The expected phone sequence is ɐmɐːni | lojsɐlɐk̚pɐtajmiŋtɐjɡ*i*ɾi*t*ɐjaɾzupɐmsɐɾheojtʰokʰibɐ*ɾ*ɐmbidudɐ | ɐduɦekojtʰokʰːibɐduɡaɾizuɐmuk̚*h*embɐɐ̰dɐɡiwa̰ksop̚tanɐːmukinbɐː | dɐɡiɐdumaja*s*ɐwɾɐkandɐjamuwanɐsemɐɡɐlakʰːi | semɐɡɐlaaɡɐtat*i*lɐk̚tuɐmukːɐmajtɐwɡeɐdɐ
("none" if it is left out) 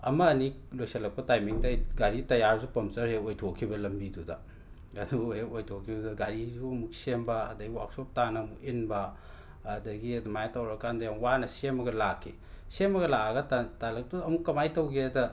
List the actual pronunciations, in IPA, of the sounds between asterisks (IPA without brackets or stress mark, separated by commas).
a, t, l, s, t, a